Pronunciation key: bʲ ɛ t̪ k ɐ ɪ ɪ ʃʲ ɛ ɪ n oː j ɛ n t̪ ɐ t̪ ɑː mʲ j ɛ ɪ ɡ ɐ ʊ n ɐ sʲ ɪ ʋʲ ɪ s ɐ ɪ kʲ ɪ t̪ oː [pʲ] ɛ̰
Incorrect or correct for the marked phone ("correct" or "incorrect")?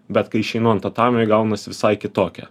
incorrect